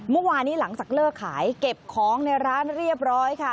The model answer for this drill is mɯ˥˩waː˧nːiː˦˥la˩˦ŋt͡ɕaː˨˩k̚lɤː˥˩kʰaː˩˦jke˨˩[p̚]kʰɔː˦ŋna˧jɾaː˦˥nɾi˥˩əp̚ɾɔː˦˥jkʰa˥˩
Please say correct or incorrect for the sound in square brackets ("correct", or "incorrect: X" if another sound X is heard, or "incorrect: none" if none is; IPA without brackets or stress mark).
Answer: correct